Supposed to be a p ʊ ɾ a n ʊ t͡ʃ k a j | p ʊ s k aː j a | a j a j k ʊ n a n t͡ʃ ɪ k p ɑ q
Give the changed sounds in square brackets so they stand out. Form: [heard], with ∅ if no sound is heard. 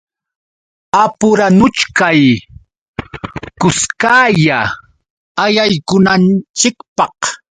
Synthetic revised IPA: a p ʊ ɾ a n ʊ t͡ʃ k a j | [k] ʊ s k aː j a | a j a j k ʊ n a n t͡ʃ ɪ k p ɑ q